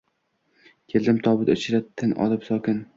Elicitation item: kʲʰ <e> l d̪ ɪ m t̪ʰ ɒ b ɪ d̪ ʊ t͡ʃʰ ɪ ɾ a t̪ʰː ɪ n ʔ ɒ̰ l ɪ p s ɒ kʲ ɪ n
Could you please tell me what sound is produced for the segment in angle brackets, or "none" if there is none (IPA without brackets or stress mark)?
e